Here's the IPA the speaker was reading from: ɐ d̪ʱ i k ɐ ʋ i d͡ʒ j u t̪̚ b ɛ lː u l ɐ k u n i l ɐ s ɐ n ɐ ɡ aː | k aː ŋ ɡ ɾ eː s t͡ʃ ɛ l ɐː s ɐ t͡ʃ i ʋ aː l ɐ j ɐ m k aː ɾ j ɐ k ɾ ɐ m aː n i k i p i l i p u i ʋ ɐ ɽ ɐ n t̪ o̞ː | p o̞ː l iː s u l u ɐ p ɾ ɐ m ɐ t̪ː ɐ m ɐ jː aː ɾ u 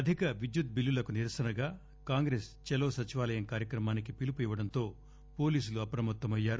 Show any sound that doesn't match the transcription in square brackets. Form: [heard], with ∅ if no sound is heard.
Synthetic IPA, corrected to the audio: ɐ d̪ʱ i k ɐ ʋ i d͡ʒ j u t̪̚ b [i] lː u l ɐ k u n i [ɾ] ɐ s ɐ n ɐ ɡ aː | k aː ŋ ɡ ɾ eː s t͡ʃ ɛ l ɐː s ɐ t͡ʃ i ʋ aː l ɐ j ɐ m k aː ɾ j ɐ k ɾ ɐ m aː n i k i p i l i p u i ʋ ɐ ɽ ɐ n t̪ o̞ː | p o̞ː l iː s u l u ɐ p ɾ ɐ m ɐ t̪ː ɐ m ɐ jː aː ɾ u